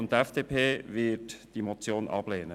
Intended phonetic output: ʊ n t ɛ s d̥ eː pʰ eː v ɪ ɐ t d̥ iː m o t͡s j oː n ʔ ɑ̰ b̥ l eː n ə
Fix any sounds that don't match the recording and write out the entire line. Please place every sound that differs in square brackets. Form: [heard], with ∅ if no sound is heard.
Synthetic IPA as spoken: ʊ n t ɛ [f] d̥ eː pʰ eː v ɪ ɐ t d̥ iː m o t͡s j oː n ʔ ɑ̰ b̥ l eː n ə